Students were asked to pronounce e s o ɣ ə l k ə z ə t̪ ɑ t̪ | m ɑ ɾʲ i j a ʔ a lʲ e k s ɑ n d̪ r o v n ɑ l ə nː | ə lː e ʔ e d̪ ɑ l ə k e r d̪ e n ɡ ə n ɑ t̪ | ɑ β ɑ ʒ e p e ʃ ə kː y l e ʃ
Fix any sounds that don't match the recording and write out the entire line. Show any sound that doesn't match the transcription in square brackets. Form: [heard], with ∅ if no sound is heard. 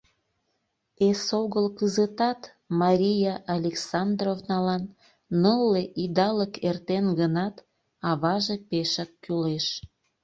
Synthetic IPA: e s o ɣ ə l k ə z ə t̪ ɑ t̪ | m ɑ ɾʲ i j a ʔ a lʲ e k s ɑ n d̪ r o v n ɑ l [ɑ] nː | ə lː e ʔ [i] d̪ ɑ l ə k e r [t̪] e n ɡ ə n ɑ t̪ | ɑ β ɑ ʒ e p e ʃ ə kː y l e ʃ